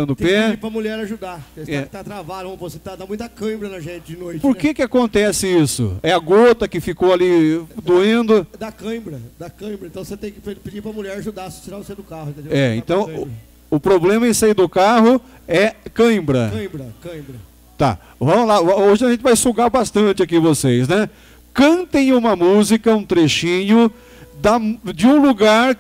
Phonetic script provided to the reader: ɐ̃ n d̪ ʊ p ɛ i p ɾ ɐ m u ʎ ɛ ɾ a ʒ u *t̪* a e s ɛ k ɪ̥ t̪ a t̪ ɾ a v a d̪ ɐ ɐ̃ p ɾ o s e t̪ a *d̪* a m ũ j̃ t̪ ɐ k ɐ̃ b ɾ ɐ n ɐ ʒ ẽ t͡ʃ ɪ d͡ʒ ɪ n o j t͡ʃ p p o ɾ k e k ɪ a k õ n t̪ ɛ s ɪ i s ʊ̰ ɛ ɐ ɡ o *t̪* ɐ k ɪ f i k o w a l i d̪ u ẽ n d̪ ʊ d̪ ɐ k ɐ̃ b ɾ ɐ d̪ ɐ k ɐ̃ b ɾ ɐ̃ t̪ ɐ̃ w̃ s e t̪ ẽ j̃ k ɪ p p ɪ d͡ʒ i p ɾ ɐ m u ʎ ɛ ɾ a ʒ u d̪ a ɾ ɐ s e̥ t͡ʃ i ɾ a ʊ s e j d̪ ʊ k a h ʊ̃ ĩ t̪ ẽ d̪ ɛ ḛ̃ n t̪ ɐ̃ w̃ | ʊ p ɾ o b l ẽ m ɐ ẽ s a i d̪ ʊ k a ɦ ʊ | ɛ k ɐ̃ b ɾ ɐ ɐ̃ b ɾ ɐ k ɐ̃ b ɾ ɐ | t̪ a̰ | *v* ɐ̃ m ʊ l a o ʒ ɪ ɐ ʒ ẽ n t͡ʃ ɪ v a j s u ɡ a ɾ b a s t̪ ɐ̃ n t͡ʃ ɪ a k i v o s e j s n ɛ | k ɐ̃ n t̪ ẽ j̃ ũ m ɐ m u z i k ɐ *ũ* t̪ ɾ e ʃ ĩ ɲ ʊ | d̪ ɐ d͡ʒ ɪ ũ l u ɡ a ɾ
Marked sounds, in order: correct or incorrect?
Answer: incorrect, correct, correct, correct, correct

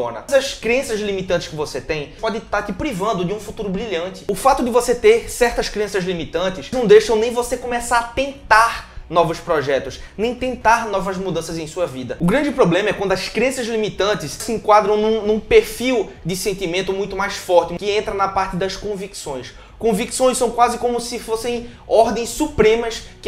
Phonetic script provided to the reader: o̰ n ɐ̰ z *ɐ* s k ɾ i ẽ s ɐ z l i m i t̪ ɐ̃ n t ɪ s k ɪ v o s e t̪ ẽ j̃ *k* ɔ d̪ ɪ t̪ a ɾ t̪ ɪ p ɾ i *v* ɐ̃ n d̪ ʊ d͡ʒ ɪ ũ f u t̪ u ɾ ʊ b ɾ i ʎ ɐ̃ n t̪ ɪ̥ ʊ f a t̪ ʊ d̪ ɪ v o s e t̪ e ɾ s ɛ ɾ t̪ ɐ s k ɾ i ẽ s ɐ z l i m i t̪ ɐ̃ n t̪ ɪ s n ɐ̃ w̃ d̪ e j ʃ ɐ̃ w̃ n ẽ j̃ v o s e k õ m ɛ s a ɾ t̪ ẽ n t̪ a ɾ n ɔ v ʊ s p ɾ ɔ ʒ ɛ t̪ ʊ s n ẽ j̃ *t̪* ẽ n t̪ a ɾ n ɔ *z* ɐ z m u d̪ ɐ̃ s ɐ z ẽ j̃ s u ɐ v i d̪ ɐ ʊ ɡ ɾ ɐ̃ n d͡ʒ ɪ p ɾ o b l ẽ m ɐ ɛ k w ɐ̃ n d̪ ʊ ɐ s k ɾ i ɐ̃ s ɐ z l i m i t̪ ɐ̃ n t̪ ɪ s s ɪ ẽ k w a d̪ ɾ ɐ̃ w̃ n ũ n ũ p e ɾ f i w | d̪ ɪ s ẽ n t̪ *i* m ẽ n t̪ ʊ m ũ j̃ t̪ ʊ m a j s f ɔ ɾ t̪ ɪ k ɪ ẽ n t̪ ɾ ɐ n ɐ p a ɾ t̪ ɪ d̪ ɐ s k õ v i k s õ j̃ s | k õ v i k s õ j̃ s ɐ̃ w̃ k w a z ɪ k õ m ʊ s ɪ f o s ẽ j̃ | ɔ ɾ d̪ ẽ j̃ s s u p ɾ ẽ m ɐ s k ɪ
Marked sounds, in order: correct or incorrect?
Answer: correct, incorrect, correct, correct, incorrect, correct

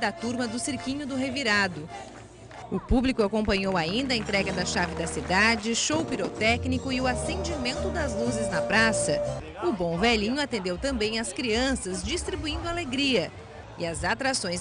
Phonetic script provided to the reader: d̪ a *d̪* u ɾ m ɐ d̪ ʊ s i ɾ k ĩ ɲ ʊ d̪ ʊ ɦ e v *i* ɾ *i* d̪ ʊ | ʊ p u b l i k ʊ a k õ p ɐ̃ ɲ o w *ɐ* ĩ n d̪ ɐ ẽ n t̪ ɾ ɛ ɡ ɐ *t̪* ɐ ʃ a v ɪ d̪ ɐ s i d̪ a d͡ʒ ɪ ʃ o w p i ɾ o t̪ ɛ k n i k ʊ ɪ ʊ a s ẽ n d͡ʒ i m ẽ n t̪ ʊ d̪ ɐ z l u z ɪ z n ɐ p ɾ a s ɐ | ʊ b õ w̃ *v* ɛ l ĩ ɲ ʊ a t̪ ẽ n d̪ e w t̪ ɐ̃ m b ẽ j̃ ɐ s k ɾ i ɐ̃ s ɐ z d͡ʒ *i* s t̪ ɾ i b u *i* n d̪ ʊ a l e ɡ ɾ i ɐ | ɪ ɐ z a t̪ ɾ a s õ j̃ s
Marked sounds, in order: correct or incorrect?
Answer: incorrect, correct, incorrect, incorrect, incorrect, correct, correct, incorrect

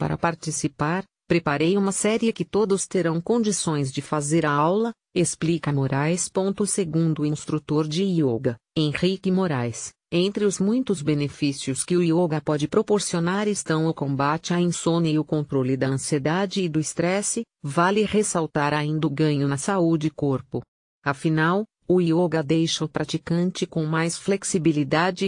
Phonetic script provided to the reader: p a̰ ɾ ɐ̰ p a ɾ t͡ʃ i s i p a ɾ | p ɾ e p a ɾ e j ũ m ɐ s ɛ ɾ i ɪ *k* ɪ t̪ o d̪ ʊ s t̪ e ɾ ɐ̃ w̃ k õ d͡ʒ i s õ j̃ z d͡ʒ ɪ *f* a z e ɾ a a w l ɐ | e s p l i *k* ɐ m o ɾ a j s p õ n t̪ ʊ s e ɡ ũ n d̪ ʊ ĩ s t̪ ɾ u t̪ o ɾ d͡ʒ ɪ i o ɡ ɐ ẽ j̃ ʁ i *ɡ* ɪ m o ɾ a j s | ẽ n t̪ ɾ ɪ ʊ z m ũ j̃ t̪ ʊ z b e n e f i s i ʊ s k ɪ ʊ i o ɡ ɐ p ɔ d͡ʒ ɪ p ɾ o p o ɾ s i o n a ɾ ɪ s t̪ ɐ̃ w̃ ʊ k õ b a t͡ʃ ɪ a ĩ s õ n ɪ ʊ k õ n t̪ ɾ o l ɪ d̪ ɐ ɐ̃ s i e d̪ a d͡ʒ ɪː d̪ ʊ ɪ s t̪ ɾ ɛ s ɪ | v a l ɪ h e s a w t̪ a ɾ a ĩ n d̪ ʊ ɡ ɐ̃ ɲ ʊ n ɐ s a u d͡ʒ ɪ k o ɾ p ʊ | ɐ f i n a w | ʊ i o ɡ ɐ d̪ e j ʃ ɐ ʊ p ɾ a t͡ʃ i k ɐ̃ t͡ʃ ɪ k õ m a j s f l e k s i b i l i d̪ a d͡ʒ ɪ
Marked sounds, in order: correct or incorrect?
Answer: correct, correct, correct, incorrect

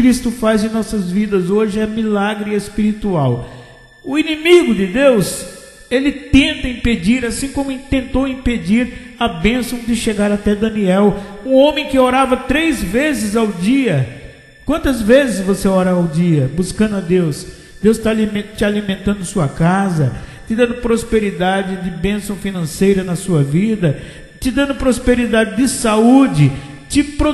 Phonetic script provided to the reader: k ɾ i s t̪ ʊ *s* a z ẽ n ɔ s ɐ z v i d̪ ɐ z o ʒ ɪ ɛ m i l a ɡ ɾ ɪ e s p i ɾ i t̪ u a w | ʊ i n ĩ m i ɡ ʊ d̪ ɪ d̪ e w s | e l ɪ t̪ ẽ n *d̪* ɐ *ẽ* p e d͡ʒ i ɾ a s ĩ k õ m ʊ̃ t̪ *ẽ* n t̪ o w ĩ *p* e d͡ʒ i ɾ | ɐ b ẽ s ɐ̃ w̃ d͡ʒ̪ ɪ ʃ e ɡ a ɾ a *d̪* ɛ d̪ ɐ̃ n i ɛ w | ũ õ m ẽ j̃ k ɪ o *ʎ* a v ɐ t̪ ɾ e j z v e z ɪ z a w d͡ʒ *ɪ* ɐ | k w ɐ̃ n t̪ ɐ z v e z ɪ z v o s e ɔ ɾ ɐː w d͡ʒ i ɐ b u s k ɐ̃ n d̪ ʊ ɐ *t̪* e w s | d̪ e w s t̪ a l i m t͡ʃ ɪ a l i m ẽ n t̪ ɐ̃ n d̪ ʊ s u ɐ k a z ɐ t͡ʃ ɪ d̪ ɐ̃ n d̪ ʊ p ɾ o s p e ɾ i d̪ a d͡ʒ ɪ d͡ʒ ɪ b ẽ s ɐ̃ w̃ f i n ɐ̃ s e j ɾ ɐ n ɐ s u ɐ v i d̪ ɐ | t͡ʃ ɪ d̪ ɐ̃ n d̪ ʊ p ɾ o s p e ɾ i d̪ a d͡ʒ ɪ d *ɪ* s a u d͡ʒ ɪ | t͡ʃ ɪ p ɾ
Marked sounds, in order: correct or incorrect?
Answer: incorrect, incorrect, incorrect, correct, correct, incorrect, incorrect, incorrect, incorrect, correct

